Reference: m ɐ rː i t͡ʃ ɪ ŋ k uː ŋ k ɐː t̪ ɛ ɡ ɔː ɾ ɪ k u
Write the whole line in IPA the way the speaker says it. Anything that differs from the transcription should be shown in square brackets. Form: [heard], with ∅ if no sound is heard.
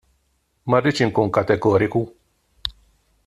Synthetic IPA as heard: m ɐ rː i t͡ʃ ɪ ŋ k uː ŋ k [ɐ] t̪ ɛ ɡ ɔː ɾ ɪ k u

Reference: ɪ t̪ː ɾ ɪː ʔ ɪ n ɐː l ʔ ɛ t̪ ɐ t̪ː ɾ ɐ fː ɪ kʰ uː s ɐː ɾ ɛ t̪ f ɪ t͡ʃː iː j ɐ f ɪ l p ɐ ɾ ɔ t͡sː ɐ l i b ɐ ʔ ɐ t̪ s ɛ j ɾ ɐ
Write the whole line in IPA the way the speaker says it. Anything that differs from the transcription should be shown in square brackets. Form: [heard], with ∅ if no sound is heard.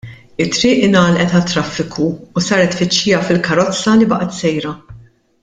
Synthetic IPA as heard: ɪ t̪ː ɾ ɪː ʔ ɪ n ɐː l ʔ ɛ t̪ ɐ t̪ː ɾ ɐ fː ɪ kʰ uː s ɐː ɾ ɛ t̪ f ɪ t͡ʃː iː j ɐ f ɪ l [k] ɐ ɾ ɔ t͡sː ɐ l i b ɐ ʔ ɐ t̪ s ɛ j ɾ ɐ

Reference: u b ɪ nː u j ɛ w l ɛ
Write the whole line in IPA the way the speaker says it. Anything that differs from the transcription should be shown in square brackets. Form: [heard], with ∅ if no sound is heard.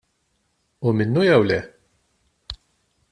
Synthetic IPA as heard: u [m] ɪ nː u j ɛ w l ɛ

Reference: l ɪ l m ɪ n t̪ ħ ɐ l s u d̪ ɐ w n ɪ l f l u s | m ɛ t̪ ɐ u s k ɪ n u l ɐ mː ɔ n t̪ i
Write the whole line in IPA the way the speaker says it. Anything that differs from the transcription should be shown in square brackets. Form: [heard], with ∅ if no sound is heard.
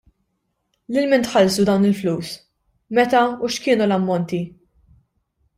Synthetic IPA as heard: l ɪ l m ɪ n t̪ ħ ɐ l s u d̪ ɐ w n ɪ l f l [uː] s | m ɛ t̪ ɐ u [ʃ] k [ɪː] n u l ɐ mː ɔ n t̪ i

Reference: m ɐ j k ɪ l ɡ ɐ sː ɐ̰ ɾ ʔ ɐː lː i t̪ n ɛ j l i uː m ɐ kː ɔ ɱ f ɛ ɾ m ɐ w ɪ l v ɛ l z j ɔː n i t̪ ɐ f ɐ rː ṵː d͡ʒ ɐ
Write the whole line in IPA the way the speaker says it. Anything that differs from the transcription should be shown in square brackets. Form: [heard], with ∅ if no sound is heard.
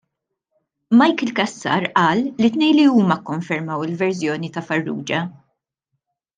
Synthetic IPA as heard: m ɐ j k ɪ l [k] ɐ sː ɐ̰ ɾ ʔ ɐː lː i t̪ n ɛ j l i uː m ɐ kː ɔ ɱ f ɛ ɾ m ɐ w ɪ l v ɛ [ɾ] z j ɔː n i t̪ ɐ f ɐ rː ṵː d͡ʒ ɐ

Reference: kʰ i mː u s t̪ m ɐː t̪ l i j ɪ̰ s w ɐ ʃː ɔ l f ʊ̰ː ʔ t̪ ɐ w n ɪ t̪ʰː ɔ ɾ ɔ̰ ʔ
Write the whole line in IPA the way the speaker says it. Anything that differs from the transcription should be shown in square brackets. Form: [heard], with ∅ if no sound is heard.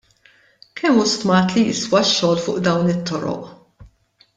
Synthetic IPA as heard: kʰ [ɛ] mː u s t̪ m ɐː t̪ l i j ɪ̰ s w ɐ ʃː [ɔː] l f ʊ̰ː ʔ [d̪] ɐ w n ɪ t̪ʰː ɔ ɾ ɔ̰ ʔ

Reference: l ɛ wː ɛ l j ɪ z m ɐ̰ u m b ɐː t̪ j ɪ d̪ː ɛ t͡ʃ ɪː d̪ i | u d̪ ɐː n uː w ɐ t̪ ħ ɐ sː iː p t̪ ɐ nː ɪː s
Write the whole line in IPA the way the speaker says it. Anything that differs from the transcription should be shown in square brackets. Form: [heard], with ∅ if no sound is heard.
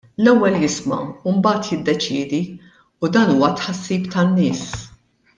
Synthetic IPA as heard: l ɛ wː ɛ l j ɪ [s] m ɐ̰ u m b ɐː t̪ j ɪ d̪ː ɛ t͡ʃ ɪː d̪ i | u d̪ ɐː n uː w ɐ t̪ ħ ɐ sː iː p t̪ ɐ nː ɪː s

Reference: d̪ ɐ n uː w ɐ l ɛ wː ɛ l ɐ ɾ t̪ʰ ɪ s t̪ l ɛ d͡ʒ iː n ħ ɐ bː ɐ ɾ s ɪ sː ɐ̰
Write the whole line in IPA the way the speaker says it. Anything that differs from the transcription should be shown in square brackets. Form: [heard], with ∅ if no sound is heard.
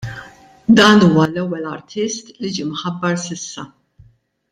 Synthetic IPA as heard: d̪ [ɐː] n uː w ɐ l ɛ wː ɛ l ɐ ɾ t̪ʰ ɪ s t̪ l [i] d͡ʒ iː [m] ħ ɐ bː ɐ ɾ s ɪ sː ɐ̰

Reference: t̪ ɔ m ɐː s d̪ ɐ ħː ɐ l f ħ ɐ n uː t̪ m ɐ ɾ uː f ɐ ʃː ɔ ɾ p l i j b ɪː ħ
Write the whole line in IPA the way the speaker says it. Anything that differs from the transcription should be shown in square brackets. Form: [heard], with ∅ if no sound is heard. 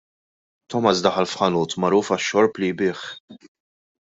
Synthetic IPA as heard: t̪ ɔ m [ɐ] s d̪ ɐ [ħ] ɐ l f ħ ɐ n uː t̪ m ɐ ɾ uː f ɐ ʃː ɔ ɾ p l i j b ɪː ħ

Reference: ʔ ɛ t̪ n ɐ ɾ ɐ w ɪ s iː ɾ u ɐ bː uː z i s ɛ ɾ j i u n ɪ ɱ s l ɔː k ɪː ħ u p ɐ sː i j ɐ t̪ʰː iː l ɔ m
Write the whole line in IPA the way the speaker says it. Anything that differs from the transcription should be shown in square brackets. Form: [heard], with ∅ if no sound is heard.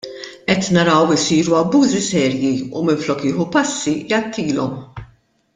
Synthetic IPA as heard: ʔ ɛ t̪ n ɐ ɾ ɐ w ɪ s iː ɾ u ɐ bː uː z i s [ɛː] ɾ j i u [m] ɪ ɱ [f] l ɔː k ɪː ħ u p ɐ sː i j ɐ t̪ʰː iː l ɔ m

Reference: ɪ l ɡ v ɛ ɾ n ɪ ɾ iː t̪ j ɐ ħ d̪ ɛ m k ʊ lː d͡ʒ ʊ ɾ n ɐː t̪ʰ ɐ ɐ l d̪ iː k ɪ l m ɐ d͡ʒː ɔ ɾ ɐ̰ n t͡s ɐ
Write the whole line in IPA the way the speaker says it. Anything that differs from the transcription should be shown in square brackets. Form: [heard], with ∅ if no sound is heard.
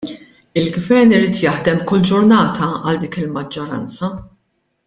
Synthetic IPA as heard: ɪ l ɡ v ɛ ɾ n ɪ ɾ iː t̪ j ɐ ħ d̪ ɛ m k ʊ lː d͡ʒ ʊ ɾ n ɐː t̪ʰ ɐ ɐ l d̪ iː k ɪ l m ɐ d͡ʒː ɔ ɾ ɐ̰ n t͡s ɐ

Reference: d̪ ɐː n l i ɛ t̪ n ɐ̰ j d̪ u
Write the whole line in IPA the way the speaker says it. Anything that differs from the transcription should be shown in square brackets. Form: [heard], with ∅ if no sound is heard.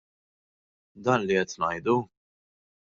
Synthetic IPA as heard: d̪ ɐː n l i ɛ t̪ n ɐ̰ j d̪ u

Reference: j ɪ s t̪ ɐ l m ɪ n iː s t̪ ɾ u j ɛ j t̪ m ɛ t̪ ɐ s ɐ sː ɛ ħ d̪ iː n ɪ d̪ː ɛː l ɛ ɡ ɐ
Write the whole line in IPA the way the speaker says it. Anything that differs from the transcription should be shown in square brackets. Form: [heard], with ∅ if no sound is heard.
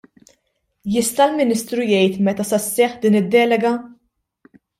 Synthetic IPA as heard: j ɪ s t̪ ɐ l m ɪ n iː s t̪ ɾ u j ɛ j t̪ m ɛ t̪ ɐ s ɐ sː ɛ ħ d̪ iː n ɪ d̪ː ɛː l ɛ ɡ ɐ

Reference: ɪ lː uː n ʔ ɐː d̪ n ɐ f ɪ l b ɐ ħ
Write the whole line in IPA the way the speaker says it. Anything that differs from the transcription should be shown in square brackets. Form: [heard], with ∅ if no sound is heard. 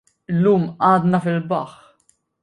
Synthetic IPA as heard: ɪ lː uː [m] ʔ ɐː d̪ n ɐ f ɪ l b ɐ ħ

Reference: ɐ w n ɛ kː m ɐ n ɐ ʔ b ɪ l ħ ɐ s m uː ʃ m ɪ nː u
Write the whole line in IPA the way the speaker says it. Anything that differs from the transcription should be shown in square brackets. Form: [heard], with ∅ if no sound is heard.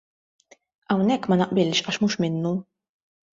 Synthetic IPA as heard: ɐ w n ɛ kː m ɐ n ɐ ʔ b ɪ l [ʃ] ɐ [ʃ] m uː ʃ m ɪ nː u

